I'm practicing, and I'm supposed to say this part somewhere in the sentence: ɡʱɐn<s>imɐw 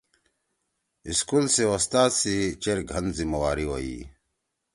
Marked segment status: incorrect: z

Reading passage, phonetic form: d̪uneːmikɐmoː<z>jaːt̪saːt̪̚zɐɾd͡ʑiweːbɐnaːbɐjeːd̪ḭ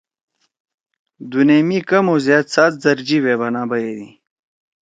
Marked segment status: correct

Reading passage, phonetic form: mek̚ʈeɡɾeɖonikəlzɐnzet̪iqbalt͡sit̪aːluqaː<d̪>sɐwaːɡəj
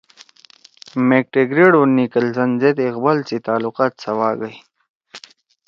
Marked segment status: incorrect: t̪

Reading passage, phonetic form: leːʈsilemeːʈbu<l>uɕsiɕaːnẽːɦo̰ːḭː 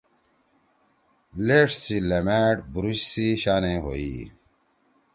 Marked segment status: incorrect: ɾ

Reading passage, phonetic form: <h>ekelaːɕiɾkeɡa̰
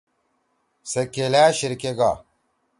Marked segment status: incorrect: s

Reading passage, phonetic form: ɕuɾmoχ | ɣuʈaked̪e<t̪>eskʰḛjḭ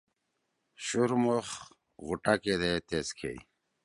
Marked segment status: correct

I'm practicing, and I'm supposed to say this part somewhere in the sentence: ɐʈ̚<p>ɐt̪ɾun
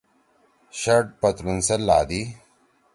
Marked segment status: correct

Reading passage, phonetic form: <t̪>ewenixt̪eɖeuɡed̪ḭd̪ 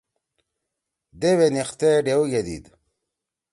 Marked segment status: incorrect: d̪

